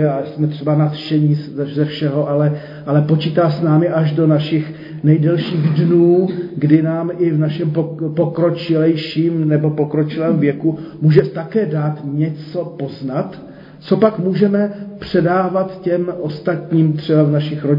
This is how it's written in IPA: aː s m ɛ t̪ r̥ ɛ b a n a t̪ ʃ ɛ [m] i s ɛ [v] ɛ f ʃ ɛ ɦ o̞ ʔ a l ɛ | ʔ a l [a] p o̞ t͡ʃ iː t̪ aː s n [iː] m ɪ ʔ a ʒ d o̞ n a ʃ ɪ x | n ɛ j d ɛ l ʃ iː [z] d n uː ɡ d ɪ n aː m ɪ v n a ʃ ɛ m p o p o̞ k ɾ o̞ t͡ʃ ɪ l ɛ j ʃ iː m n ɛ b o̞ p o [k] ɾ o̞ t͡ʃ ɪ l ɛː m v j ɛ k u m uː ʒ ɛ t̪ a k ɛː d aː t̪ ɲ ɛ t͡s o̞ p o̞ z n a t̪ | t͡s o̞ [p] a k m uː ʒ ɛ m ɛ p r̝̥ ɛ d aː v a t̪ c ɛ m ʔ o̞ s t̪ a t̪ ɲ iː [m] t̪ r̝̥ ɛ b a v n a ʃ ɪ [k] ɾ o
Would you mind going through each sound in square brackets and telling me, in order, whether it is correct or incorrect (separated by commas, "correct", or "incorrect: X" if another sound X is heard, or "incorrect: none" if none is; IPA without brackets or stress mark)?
incorrect: ɲ, incorrect: z, incorrect: ɛ, incorrect: aː, incorrect: ɣ, correct, correct, correct, incorrect: x